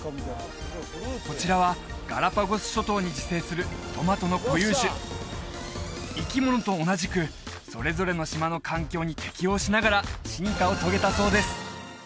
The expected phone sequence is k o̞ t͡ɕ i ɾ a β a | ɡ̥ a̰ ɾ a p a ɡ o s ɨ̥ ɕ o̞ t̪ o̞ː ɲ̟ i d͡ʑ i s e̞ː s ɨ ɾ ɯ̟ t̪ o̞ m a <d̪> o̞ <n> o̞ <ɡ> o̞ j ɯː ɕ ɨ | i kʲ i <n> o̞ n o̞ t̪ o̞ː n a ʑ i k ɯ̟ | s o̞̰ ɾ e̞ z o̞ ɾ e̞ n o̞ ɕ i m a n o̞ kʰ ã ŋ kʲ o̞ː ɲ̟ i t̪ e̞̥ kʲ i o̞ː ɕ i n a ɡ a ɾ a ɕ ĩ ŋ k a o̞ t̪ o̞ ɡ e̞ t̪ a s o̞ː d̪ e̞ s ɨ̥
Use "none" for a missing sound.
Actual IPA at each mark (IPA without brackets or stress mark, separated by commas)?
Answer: t̪, n, k, m